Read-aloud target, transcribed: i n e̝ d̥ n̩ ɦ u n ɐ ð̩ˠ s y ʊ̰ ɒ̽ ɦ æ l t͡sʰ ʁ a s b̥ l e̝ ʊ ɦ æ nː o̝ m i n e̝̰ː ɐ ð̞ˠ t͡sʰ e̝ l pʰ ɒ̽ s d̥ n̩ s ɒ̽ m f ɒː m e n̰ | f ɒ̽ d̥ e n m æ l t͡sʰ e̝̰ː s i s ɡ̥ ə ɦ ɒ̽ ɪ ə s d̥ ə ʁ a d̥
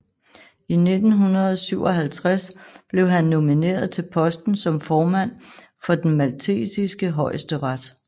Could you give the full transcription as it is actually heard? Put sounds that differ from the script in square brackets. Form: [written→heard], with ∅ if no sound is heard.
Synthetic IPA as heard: i n e̝ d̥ n̩ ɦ u n ɐ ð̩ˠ s y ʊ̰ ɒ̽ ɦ æ l t͡sʰ ʁ a s b̥ l e̝ ʊ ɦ æ nː o̝ m i n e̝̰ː ɐ ð̞ˠ t͡sʰ e̝ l pʰ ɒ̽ s d̥ n̩ s ɒ̽ m f ɒː m [e→æ] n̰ | f ɒ̽ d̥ e n m æ l t͡sʰ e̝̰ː s i s ɡ̥ ə ɦ ɒ̽ ɪ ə s d̥ ə ʁ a d̥